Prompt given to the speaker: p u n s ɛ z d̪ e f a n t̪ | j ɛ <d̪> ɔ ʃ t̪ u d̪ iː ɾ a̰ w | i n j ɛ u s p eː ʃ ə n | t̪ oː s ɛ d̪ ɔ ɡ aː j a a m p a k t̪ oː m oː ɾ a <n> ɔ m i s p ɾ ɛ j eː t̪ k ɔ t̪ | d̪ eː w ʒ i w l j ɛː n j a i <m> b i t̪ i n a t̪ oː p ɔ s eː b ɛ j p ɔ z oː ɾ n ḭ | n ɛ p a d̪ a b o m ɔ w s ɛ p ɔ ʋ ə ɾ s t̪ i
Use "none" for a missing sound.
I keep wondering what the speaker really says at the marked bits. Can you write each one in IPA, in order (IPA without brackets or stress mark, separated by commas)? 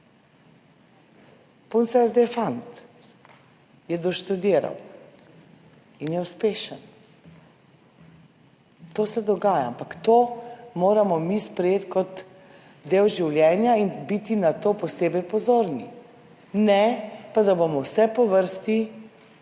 d̪, m, n